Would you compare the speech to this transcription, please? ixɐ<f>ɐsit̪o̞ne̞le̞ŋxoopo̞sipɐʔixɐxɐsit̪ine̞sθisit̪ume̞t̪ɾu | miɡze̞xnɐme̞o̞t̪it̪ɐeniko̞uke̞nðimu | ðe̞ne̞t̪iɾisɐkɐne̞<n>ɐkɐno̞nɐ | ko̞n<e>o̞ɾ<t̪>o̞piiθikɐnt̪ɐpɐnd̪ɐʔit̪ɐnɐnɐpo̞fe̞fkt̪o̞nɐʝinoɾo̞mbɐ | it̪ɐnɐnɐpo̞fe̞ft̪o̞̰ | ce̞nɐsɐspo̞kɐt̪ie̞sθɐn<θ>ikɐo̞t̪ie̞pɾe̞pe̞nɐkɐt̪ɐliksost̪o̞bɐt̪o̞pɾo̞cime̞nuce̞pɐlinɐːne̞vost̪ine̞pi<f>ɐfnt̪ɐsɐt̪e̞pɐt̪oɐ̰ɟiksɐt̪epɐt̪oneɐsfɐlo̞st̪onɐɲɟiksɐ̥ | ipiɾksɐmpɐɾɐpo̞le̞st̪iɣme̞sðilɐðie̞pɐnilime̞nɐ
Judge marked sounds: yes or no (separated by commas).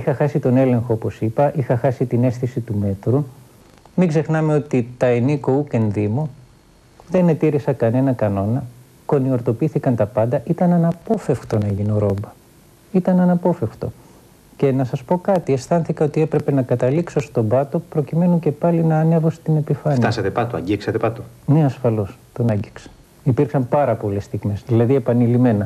no, yes, no, yes, yes, yes